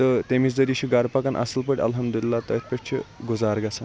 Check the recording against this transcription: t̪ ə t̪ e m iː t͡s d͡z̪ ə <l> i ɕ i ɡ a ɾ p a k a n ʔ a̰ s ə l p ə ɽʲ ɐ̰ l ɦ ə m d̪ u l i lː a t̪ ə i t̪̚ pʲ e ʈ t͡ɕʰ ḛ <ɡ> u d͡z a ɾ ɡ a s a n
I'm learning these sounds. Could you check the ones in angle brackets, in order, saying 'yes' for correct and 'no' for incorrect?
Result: no, yes

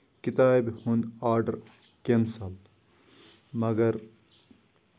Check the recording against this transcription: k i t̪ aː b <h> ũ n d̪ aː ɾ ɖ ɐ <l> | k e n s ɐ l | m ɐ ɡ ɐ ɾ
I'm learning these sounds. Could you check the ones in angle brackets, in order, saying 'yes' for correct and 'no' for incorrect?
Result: yes, no

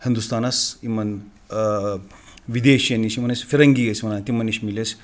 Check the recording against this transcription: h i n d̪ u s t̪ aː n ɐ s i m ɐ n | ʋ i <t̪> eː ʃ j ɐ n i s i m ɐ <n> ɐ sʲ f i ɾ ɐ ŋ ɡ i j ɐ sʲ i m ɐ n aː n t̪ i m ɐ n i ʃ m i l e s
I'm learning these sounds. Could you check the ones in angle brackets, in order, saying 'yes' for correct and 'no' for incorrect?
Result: no, yes

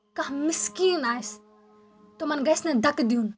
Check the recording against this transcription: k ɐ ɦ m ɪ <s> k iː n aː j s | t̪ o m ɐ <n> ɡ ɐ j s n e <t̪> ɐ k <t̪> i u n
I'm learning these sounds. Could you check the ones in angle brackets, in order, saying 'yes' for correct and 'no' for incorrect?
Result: yes, yes, no, no

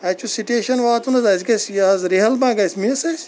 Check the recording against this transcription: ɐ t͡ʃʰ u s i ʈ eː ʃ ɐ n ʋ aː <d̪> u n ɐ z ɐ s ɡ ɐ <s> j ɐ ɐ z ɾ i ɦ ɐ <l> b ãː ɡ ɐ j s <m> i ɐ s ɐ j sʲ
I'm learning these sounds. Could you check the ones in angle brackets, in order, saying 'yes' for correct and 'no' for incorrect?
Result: no, yes, yes, yes

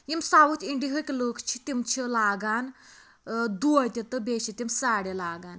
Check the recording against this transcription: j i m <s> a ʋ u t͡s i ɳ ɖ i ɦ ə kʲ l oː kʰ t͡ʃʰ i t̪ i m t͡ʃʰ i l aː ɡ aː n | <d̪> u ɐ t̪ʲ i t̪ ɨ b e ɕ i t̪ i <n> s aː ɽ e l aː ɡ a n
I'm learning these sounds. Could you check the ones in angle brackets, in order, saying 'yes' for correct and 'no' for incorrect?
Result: yes, yes, no

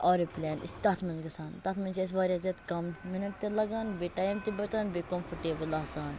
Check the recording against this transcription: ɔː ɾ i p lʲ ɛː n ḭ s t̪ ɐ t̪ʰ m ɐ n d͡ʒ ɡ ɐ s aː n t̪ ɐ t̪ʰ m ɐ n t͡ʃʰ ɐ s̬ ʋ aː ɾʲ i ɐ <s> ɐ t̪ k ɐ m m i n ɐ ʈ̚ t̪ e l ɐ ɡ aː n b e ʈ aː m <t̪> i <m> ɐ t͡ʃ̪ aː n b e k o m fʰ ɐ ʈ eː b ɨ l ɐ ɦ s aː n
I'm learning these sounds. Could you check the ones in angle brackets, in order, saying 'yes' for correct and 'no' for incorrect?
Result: no, yes, no

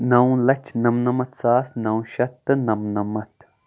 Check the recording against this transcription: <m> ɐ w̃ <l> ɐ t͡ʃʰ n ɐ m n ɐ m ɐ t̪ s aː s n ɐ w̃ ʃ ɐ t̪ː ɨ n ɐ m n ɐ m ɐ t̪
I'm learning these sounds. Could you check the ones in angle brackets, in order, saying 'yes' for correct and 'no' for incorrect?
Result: no, yes

